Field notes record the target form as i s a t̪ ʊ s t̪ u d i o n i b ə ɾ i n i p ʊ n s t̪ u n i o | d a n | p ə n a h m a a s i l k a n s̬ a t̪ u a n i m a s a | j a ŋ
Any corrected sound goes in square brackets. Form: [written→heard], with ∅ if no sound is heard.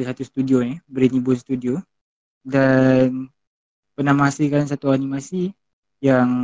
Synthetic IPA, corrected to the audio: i s a t̪ [ʊ→u] s t̪ u d i o n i b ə ɾ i n i [p→b] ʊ n s t̪ u [n→d] i o | d a n | p ə n a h m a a s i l k a n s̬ a t̪ u a n i m a s [a→i] | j a ŋ